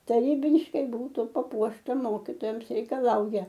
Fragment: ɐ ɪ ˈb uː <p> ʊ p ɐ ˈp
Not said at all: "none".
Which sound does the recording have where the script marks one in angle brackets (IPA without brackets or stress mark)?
t